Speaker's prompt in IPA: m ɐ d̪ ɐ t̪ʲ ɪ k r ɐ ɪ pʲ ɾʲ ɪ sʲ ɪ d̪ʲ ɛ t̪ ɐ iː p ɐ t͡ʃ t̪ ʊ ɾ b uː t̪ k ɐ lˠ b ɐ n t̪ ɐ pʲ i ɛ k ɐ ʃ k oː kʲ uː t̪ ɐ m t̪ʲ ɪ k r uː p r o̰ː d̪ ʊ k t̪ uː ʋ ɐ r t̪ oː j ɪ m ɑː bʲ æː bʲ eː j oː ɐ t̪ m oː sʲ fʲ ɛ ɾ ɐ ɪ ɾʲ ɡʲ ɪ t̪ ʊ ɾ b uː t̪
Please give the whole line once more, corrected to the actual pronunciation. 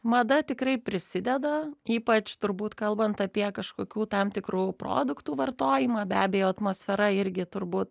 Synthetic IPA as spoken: m ɐ d̪ ɐ t̪ʲ ɪ k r ɐ ɪ pʲ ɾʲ ɪ sʲ ɪ d̪ʲ ɛ d̪ ɐ iː p ɐ t͡ʃ t̪ ʊ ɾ b uː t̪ k ɐ lˠ b ɐ n t̪ ɐ pʲ i ɛ k ɐ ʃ k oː kʲ uː t̪ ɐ m t̪ʲ ɪ k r uː p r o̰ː d̪ ʊ k t̪ uː ʋ ɐ r t̪ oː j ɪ m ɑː bʲ æː bʲ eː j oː ɐ t̪ m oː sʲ fʲ ɛ ɾ ɐ ɪ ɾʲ ɡʲ ɪ t̪ ʊ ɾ b uː t̪